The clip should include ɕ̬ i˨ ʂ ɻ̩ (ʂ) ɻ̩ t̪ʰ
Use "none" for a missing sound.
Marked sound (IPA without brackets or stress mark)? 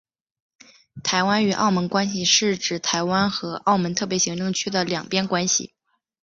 ʈ͡ʂ